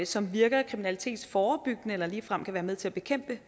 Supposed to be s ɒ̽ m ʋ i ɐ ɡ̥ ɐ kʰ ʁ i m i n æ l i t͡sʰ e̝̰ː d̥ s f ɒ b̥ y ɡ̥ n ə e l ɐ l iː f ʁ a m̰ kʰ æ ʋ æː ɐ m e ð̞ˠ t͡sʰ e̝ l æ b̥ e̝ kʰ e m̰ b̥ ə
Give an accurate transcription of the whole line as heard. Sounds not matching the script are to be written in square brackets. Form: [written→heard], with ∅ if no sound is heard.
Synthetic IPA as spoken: s ɒ̽ m ʋ i ɐ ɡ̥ ɐ kʰ ʁ i m i n æ l i t͡sʰ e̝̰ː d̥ s f [ɒ→ɒː] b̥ y ɡ̥ n ə e l ɐ l iː f ʁ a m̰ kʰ æ ʋ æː ɐ m e ð̞ˠ t͡sʰ e̝ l æ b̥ e̝ kʰ e m̰ b̥ ə